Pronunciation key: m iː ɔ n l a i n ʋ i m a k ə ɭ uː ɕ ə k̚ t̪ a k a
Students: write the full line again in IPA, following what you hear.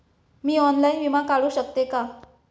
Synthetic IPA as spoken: m iː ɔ n l a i n ʋ i m a k a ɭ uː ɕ ə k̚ t̪ e k a